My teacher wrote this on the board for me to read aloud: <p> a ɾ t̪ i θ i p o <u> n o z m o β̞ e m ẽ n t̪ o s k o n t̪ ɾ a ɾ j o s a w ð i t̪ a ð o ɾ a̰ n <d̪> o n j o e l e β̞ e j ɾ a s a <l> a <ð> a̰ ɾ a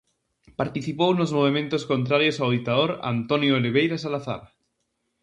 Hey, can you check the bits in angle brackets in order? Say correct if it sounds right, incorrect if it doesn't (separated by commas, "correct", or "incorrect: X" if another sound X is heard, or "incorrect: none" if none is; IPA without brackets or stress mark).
correct, incorrect: w, incorrect: t̪, correct, incorrect: θ